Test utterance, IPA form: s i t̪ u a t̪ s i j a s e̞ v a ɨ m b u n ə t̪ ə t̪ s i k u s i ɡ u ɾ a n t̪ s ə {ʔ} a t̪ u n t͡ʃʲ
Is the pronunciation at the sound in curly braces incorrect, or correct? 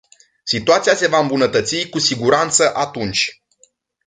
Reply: correct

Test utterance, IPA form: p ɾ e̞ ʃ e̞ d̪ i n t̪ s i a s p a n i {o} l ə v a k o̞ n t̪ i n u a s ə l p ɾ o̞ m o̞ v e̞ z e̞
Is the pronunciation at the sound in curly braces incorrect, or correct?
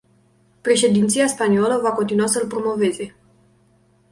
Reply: correct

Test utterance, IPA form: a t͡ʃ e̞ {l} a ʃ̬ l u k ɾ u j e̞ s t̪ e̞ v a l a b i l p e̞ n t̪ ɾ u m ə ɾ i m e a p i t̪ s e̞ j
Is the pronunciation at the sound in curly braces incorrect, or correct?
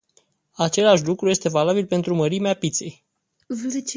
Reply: correct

